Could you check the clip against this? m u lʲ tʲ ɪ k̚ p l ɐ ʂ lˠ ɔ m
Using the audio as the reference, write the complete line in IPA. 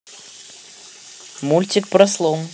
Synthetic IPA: m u lʲ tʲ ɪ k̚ p ɾ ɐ s lˠ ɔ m